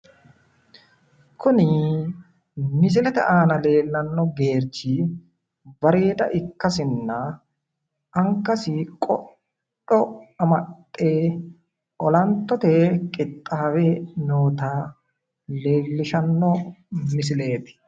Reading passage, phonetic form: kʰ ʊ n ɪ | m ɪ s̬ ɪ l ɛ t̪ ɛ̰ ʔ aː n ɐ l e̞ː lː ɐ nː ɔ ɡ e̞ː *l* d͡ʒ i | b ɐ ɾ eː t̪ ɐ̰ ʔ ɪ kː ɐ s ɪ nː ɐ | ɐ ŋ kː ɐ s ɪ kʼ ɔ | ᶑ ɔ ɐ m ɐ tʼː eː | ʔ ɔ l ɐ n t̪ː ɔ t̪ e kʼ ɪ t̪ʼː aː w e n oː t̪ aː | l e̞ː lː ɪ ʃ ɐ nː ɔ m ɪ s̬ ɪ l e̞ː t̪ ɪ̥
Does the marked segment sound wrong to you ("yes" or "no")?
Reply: yes